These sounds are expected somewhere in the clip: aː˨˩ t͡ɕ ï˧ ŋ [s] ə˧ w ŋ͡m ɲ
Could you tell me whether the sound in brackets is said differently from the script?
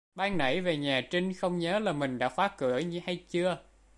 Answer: yes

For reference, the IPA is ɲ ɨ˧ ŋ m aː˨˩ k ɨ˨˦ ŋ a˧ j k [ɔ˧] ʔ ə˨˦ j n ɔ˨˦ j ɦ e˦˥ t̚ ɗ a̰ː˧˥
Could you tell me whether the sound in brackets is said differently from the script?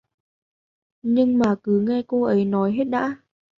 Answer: yes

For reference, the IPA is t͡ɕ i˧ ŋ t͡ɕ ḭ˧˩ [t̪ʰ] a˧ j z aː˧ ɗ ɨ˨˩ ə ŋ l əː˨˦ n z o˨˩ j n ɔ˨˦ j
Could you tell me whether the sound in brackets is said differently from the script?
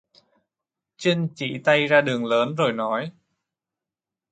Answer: yes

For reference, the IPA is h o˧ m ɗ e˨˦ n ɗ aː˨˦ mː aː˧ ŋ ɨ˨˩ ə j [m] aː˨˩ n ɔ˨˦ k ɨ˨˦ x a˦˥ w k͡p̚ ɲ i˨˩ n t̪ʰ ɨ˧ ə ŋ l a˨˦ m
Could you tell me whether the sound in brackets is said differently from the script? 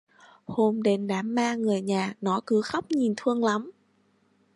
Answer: yes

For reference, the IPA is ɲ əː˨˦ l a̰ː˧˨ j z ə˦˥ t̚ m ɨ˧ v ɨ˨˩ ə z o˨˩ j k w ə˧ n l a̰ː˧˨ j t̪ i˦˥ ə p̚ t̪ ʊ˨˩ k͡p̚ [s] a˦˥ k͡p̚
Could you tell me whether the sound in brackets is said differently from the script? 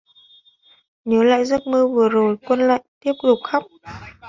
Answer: yes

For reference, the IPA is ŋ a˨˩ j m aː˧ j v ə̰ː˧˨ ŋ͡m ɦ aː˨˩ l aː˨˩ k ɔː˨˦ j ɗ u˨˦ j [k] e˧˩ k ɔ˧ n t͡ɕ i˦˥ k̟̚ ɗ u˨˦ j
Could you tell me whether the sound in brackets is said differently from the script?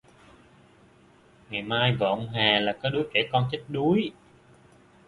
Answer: no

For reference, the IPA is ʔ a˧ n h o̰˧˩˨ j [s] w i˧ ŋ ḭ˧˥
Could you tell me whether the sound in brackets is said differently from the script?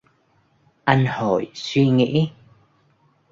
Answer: no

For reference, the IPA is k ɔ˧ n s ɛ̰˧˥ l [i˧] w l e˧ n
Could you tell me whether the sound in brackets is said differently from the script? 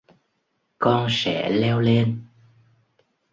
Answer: yes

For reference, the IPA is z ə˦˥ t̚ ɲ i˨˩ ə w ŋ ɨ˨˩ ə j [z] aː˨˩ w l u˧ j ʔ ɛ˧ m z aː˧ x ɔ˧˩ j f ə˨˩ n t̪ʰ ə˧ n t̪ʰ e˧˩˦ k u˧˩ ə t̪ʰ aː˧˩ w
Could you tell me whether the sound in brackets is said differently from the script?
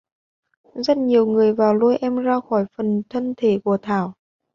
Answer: yes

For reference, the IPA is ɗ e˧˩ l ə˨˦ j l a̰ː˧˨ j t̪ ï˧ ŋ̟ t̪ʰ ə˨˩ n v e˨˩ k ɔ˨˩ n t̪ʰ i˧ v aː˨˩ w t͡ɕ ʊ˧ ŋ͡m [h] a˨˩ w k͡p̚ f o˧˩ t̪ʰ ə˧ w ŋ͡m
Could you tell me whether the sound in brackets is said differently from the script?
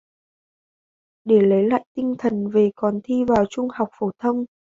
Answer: no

